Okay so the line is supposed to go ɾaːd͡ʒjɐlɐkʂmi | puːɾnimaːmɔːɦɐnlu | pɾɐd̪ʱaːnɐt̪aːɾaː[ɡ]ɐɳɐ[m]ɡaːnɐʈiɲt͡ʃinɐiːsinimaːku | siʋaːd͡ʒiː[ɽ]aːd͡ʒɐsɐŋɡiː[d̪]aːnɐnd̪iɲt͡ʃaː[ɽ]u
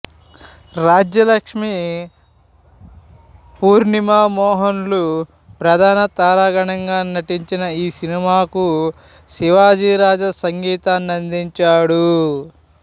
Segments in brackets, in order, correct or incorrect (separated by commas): correct, incorrect, incorrect, incorrect, correct